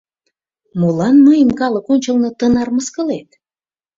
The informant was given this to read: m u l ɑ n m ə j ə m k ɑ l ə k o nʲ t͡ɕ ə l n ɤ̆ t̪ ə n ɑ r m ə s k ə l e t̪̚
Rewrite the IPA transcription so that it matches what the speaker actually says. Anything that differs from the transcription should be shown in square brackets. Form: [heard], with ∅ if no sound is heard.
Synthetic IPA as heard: m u l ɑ n m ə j ə m k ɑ l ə k o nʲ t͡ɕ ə l n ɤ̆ t̪ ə n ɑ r m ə s k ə l e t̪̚